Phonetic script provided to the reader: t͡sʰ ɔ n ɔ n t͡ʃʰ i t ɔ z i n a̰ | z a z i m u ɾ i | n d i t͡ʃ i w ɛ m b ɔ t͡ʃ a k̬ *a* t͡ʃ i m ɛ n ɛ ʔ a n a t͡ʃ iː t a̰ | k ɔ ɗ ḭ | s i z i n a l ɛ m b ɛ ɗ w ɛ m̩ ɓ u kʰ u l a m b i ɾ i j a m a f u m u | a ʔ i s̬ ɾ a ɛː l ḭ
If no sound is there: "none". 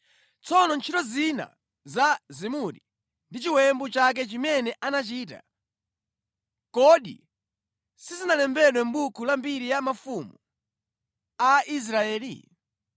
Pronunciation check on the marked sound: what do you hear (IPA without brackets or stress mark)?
ɛ